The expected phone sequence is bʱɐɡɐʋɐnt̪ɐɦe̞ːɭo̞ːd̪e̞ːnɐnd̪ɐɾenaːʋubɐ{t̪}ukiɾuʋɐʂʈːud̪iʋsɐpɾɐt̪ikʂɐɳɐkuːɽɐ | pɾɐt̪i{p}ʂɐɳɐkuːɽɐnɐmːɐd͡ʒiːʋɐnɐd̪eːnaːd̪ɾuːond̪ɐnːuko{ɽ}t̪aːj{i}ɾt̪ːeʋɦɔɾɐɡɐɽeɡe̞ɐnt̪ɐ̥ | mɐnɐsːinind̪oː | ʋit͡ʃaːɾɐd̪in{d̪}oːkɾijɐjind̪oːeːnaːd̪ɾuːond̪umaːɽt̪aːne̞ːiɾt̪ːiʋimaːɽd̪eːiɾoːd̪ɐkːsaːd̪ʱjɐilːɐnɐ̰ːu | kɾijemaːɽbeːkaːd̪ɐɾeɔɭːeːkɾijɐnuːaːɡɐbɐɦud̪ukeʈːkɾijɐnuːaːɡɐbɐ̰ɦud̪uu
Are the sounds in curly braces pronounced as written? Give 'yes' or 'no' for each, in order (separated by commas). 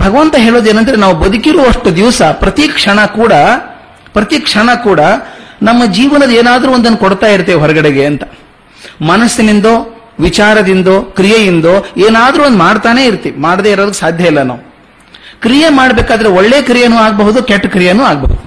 no, no, yes, yes, yes